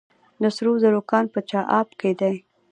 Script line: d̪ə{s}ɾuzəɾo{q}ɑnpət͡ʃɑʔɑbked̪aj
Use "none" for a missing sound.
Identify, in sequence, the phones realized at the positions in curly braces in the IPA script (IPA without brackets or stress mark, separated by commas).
s, k